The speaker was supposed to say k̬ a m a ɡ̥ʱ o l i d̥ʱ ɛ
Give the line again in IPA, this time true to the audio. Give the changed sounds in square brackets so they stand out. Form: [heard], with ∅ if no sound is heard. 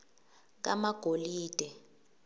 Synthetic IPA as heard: k̬ a m a ɡ̥ʱ o l [iː] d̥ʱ ɛ